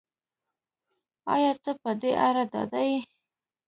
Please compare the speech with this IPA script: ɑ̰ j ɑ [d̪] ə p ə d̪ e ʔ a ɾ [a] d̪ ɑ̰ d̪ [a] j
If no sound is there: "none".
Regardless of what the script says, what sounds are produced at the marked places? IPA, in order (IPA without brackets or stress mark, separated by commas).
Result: t̪, a, a